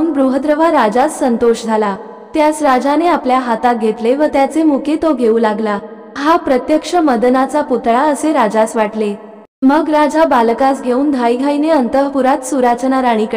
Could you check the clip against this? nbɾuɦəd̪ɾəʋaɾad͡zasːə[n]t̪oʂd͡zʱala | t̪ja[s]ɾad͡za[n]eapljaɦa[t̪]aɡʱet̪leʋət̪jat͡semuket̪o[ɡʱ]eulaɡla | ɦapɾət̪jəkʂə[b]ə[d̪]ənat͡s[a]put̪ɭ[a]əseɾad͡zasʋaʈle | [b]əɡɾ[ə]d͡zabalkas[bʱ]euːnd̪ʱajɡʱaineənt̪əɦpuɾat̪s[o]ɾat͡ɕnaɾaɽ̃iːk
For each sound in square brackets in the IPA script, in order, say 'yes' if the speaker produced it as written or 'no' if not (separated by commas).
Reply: yes, yes, yes, yes, yes, no, yes, yes, yes, no, no, no, no